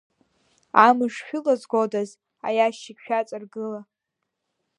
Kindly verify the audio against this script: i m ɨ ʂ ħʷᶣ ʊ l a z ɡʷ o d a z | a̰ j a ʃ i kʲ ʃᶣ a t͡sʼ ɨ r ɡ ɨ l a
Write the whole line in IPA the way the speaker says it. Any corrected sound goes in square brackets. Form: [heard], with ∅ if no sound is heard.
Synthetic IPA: [a] m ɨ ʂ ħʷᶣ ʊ l a z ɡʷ o d a z | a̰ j a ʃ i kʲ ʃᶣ a t͡sʼ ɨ r ɡ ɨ l a

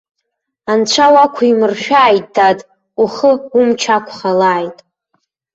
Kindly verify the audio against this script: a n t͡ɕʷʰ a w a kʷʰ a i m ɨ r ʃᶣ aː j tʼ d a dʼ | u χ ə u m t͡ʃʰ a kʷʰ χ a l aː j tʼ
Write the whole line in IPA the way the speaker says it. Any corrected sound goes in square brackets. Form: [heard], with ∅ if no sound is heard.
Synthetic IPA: a n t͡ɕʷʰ a w a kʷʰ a i m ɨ r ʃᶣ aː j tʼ d a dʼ | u χ ə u m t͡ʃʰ a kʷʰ χ a l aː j tʼ

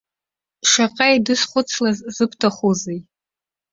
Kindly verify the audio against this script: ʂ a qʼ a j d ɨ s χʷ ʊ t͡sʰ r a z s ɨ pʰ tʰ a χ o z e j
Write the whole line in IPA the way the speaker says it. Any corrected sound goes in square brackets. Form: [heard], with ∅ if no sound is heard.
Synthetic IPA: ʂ a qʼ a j d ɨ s χʷ ʊ t͡sʰ [l] a z [z] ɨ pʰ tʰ a χ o z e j

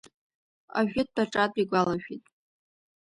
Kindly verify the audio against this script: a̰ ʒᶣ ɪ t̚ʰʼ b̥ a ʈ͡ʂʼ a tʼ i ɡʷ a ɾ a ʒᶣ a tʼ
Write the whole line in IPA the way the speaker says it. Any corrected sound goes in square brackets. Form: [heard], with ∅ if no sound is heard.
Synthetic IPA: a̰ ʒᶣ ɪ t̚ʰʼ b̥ a ʈ͡ʂʼ a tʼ i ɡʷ a [l] a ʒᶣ [i] tʼ

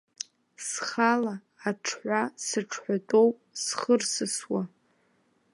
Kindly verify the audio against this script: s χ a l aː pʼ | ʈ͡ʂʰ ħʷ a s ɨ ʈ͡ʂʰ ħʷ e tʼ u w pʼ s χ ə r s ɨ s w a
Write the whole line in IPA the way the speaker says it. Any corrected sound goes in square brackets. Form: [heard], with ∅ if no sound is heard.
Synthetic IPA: s χ a l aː [∅] | ʈ͡ʂʰ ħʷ a s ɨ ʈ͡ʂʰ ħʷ [a] tʼ [o] w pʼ s χ ə r s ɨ s w a

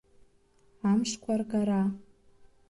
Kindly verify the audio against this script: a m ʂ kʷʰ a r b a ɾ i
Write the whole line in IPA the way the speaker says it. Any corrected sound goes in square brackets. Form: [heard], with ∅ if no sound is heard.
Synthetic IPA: a m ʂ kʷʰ a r [ɡ] a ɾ [a]

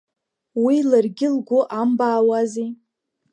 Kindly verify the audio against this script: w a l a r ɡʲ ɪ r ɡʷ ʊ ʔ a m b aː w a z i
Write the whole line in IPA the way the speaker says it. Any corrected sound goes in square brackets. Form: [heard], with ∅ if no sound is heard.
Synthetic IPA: w [i] l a r ɡʲ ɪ [l] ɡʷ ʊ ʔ a m b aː w a z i

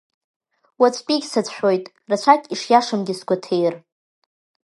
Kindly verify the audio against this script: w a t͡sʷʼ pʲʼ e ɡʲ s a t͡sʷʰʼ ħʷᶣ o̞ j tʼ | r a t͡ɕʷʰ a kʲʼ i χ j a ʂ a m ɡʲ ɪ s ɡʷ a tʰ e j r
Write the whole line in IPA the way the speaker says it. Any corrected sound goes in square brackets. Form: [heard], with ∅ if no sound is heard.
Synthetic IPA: w a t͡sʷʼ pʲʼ [i] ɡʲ s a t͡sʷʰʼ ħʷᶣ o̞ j tʼ | r a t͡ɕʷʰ a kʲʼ i [ʂ] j a ʂ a m ɡʲ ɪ s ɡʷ a tʰ e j r

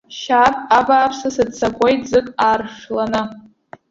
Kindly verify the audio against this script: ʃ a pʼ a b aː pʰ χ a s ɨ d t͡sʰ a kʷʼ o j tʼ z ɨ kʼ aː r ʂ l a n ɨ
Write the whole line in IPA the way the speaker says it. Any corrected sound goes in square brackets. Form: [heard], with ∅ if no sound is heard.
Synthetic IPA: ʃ a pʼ a b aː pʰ [s] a s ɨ d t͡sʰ a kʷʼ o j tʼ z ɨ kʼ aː r ʂ l a n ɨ

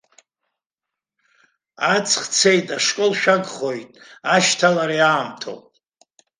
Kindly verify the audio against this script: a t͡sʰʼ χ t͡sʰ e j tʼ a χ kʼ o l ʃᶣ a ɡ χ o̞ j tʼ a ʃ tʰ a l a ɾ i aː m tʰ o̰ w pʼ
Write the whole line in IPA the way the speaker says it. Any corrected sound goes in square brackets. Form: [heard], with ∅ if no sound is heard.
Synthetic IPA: a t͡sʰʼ χ t͡sʰ e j tʼ a [ʂ] kʼ o l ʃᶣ a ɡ χ o̞ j tʼ a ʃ tʰ a l a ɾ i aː m tʰ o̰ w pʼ

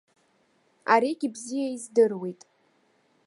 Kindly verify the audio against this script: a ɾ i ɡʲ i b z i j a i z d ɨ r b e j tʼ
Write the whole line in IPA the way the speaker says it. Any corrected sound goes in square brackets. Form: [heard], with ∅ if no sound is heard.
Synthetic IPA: a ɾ i ɡʲ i b z i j a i z d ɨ r [w] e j tʼ

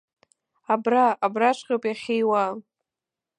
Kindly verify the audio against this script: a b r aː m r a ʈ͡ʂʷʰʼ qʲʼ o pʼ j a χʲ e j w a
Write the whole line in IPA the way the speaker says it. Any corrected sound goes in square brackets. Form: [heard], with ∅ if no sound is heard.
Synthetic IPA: a b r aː [b] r a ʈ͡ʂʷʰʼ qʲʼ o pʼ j a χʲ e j w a

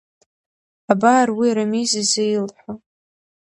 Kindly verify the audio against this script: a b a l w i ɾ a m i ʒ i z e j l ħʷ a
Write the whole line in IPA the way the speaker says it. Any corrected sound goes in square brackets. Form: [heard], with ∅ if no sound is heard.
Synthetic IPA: a b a [r] w i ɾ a m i [z] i z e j l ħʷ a

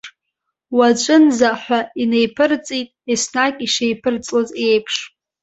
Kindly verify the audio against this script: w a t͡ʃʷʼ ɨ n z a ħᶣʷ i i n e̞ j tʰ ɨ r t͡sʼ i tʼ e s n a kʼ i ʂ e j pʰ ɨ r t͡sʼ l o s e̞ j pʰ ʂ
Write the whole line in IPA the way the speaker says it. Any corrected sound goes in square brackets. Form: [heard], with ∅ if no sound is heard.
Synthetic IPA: w a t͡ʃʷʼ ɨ n z a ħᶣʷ [a] i n e̞ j [pʰ] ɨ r t͡sʼ i tʼ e s n a kʼ i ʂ e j pʰ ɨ r t͡sʼ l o [z] e̞ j pʰ ʂ

